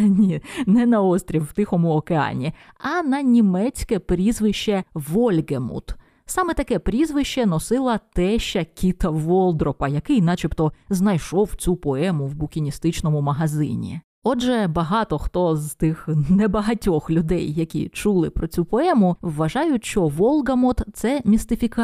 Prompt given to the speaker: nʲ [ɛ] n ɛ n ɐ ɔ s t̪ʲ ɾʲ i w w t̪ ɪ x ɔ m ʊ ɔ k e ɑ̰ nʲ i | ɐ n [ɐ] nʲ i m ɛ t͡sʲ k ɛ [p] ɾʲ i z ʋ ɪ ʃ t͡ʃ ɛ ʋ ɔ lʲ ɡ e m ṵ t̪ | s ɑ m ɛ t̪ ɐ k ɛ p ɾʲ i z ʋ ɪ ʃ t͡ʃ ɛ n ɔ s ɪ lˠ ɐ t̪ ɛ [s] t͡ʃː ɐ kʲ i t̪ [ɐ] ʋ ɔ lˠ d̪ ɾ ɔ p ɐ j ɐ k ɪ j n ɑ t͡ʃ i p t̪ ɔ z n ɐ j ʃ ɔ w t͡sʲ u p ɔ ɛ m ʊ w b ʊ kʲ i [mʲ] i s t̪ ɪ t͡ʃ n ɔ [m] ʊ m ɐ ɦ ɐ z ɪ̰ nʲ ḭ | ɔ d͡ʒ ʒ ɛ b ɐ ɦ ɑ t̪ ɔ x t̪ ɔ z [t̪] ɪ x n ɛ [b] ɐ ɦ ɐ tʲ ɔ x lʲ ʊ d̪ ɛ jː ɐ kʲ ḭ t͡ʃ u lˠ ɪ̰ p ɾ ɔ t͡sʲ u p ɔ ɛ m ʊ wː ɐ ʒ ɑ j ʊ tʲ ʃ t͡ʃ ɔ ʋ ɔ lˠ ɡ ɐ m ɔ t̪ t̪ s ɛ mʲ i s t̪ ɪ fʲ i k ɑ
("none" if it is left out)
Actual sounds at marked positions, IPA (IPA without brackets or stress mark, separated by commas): i, ɐ, p, ʃ, ɐ, nʲ, m, t̪, b